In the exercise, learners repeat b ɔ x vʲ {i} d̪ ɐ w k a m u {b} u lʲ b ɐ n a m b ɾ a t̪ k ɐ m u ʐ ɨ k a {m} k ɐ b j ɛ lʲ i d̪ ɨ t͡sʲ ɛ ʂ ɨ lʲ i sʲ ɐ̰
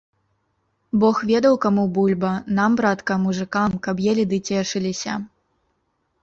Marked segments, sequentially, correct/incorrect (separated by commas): incorrect, correct, correct